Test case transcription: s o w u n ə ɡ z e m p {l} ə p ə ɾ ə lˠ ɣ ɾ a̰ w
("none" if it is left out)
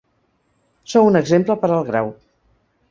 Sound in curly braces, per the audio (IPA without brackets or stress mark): l